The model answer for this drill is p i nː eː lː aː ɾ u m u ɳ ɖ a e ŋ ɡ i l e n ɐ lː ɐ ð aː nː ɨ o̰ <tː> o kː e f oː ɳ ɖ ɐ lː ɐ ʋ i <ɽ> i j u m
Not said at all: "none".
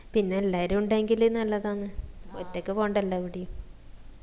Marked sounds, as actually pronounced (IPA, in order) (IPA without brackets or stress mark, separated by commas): tː, ɽ